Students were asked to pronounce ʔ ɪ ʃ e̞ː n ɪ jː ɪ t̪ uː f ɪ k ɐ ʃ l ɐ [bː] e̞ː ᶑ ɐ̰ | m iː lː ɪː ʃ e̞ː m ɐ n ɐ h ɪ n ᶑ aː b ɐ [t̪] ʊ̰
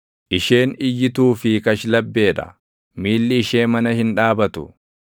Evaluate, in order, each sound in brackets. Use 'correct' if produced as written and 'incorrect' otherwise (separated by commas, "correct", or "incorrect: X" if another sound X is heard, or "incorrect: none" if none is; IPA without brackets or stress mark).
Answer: correct, correct